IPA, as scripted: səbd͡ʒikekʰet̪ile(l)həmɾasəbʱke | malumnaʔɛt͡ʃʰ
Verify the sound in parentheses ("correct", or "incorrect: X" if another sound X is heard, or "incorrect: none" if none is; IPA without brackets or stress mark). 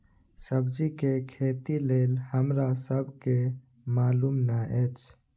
correct